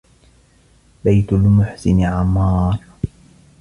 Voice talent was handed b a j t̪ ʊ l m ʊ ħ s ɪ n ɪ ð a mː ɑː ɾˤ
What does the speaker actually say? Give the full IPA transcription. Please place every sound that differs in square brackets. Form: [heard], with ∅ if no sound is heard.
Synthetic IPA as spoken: b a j t̪ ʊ l m ʊ ħ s ɪ n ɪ [ʕ] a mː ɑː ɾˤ